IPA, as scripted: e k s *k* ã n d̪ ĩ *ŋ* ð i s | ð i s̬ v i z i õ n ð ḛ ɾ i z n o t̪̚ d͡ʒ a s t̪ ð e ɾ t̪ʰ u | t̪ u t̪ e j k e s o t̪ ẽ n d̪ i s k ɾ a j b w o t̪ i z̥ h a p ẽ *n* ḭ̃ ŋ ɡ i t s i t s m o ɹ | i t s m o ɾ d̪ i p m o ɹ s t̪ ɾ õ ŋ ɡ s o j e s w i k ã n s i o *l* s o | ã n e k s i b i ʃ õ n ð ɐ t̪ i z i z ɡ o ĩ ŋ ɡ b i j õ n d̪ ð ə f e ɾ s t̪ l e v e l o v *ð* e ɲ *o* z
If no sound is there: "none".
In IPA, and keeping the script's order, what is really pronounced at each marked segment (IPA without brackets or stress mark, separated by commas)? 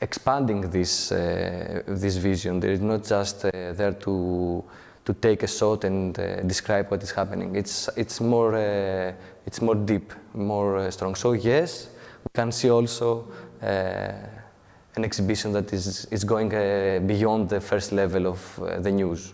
p, ŋ, n, l, ð, u